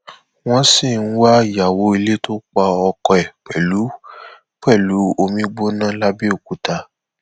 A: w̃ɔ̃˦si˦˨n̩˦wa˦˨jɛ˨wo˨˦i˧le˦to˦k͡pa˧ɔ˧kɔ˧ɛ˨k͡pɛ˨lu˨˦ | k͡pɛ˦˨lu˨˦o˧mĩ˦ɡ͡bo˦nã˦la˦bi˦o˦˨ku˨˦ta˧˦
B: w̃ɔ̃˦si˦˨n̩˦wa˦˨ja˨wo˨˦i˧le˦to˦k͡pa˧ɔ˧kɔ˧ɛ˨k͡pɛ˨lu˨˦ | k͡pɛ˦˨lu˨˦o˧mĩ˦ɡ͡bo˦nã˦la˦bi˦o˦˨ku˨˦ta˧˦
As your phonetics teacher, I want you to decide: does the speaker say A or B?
B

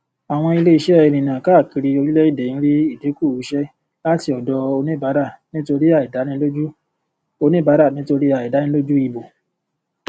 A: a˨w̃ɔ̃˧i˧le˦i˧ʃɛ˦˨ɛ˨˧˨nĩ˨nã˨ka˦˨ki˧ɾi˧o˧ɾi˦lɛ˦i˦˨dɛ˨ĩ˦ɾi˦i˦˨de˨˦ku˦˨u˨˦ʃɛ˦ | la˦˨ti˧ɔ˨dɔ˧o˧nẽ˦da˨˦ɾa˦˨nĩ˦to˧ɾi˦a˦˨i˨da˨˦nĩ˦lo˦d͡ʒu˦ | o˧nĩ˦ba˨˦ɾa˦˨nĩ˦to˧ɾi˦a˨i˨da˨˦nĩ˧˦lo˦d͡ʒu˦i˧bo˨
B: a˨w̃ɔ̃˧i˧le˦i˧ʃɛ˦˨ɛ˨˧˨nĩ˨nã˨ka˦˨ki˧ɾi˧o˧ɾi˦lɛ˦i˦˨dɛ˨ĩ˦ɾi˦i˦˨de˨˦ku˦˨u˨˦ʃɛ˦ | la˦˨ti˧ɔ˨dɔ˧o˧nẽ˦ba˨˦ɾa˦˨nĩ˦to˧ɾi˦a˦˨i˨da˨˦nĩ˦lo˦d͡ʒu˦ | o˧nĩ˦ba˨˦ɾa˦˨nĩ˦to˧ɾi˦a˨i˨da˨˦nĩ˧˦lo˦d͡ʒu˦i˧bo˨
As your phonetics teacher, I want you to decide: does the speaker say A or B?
B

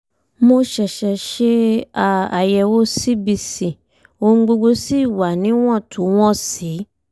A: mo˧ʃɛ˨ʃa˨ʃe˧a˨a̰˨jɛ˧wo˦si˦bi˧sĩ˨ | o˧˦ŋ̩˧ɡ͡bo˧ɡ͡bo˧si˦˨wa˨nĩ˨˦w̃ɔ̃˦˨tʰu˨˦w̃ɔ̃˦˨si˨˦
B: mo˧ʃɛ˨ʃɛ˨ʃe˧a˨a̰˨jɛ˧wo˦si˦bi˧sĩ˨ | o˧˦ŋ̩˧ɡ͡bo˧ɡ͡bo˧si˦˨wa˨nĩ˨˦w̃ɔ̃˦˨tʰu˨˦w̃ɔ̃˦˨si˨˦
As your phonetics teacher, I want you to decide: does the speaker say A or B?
B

